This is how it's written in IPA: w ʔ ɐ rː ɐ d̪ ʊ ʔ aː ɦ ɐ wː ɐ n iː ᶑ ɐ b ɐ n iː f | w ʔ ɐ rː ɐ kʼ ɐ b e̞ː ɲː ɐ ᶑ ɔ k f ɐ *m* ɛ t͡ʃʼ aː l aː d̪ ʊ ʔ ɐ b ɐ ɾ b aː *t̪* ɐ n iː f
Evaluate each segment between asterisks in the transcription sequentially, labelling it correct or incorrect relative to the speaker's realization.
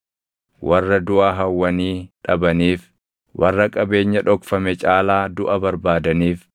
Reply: correct, incorrect: d̪

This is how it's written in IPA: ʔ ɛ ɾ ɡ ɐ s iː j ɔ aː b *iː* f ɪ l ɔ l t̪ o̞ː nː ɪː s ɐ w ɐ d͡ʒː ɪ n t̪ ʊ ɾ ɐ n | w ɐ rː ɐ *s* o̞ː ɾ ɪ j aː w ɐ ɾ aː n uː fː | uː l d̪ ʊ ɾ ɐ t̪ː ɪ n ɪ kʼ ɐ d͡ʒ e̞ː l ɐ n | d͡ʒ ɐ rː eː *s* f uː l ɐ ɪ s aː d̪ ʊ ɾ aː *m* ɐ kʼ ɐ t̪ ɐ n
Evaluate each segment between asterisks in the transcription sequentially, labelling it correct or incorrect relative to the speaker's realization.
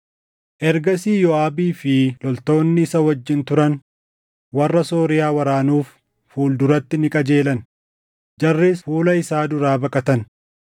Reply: correct, correct, correct, incorrect: b

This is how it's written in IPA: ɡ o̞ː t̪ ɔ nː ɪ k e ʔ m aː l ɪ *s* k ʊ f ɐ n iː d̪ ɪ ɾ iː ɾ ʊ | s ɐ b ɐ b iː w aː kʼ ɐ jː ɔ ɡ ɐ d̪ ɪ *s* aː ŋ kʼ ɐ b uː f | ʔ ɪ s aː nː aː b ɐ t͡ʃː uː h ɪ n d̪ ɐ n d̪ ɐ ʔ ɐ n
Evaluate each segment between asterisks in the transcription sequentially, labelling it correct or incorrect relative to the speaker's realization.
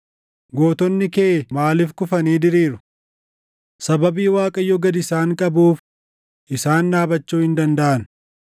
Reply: incorrect: f, correct

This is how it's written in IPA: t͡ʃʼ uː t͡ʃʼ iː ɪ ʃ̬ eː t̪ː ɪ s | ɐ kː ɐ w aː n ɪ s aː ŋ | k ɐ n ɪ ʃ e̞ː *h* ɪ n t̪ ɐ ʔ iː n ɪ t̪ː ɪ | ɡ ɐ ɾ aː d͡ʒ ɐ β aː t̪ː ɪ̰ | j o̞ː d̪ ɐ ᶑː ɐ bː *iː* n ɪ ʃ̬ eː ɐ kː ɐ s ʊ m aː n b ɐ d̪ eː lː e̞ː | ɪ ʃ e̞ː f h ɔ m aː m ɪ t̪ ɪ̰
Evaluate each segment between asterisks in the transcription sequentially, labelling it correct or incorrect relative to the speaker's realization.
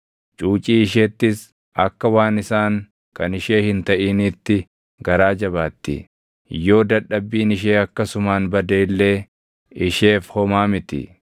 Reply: correct, correct

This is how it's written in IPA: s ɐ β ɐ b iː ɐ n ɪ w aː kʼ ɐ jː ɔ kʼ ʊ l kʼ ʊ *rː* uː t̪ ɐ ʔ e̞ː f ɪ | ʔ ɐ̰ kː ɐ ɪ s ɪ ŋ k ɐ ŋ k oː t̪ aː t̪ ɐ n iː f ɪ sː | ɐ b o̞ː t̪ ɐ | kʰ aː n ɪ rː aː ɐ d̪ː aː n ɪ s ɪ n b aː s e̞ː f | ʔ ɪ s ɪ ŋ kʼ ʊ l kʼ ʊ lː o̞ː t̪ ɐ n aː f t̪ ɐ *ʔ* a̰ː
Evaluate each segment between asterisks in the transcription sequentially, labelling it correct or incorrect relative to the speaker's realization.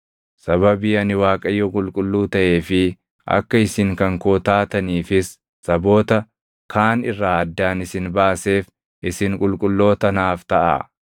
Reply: incorrect: lː, correct

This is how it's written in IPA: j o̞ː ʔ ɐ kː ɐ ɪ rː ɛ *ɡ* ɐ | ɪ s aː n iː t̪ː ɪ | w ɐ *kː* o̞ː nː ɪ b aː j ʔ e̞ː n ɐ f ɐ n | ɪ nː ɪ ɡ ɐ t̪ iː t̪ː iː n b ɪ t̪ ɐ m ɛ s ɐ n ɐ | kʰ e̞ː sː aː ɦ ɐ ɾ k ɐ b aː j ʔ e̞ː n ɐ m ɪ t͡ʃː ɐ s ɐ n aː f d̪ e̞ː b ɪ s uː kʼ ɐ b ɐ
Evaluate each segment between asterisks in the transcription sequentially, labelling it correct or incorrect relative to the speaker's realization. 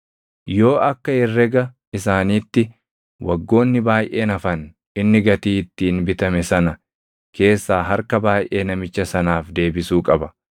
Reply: correct, incorrect: ɡː

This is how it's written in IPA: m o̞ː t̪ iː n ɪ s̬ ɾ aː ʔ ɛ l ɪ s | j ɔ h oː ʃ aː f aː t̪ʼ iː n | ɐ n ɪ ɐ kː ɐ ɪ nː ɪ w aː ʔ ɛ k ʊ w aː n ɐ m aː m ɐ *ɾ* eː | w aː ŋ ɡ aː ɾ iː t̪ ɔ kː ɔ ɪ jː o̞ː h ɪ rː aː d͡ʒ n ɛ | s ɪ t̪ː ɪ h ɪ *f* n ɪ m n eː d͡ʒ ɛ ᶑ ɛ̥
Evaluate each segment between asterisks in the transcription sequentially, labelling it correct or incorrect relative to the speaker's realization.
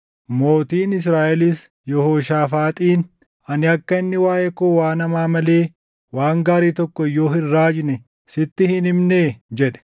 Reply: incorrect: l, incorrect: none

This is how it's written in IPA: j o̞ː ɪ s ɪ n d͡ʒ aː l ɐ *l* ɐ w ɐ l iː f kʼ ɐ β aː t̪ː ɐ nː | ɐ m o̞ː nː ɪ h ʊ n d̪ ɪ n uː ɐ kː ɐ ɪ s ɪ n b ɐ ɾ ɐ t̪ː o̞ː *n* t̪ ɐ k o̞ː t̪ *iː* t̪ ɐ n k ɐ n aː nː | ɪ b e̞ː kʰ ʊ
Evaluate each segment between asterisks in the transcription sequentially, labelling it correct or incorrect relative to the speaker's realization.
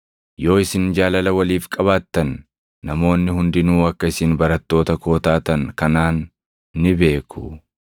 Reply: correct, incorrect: none, incorrect: aː

